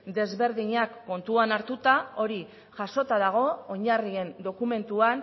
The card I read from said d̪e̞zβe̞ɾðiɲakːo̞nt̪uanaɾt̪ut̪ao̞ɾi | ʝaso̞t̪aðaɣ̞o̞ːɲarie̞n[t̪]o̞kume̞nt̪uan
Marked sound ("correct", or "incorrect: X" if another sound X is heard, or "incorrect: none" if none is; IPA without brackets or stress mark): incorrect: d̪